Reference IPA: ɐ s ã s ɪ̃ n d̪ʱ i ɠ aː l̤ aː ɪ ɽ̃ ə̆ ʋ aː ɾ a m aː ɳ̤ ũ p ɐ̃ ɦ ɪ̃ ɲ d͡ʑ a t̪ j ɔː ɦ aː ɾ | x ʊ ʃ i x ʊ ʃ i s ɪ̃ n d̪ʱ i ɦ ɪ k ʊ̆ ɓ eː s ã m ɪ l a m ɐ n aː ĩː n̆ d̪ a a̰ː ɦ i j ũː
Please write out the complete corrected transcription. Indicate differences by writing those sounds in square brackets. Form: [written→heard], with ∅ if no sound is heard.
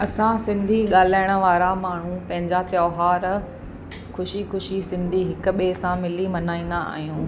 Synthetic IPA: ɐ s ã s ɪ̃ n d̪ʱ i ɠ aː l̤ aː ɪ ɽ̃ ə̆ ʋ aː ɾ a m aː ɳ̤ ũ p ɐ̃ ɦ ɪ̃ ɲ d͡ʑ a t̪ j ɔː ɦ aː ɾ | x ʊ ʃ i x ʊ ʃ i s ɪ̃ n d̪ʱ i ɦ ɪ k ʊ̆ ɓ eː s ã m ɪ l [a→i] m ɐ n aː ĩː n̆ d̪ a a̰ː ɦ i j ũː